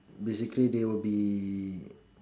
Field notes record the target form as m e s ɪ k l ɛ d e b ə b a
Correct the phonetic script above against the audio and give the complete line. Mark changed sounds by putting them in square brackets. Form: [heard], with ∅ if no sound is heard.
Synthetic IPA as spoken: [b] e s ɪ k l [i] d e [w] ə b [i]